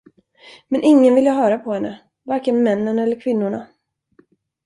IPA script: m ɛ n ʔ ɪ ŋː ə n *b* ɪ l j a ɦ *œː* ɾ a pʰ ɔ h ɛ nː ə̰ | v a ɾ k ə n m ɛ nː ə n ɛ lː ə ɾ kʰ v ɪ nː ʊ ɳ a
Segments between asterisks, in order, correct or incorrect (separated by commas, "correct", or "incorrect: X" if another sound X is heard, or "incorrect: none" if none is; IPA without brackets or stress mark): incorrect: v, correct